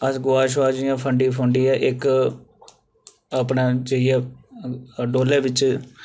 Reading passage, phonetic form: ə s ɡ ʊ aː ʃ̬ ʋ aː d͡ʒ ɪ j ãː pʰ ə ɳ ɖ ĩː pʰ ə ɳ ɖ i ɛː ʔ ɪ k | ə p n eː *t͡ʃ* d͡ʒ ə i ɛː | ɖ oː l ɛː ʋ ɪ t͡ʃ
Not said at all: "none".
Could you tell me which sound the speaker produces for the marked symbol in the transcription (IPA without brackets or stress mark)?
none